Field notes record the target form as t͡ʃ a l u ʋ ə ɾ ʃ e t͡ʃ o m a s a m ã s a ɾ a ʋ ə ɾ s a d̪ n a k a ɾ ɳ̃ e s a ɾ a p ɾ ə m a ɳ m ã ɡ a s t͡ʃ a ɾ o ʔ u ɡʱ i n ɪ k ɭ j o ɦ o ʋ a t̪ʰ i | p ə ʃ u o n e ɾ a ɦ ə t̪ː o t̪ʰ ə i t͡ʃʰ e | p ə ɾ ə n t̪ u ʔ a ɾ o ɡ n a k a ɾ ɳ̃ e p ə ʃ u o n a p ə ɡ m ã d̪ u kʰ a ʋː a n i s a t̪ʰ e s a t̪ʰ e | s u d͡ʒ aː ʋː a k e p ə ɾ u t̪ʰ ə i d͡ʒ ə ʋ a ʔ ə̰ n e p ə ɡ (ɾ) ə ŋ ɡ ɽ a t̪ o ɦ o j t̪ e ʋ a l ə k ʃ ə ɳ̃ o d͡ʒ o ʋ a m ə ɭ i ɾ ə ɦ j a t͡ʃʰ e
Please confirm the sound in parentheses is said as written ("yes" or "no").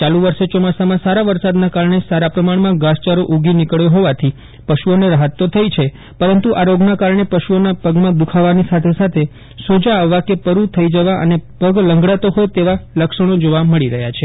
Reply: no